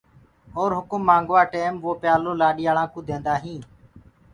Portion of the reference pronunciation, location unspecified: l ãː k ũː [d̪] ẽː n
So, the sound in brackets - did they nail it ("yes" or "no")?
yes